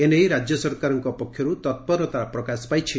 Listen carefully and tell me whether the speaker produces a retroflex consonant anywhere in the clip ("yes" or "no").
no